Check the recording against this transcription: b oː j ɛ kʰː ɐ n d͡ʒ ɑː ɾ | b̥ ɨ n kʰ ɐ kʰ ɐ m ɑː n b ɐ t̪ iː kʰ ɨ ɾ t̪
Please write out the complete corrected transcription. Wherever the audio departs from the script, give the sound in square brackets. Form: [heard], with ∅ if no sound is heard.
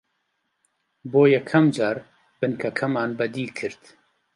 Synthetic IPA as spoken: b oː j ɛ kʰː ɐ [m] d͡ʒ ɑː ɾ | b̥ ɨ n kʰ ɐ kʰ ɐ m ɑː n b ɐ [d̪] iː kʰ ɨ ɾ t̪